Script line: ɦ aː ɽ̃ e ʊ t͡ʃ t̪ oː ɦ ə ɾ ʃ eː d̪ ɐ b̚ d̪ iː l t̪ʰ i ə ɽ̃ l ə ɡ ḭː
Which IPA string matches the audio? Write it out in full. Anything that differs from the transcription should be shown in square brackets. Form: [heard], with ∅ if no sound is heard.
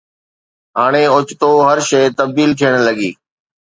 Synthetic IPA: ɦ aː ɽ̃ e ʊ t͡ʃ t̪ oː ɦ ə ɾ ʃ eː [t̪] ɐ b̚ d̪ iː l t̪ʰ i ə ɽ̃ l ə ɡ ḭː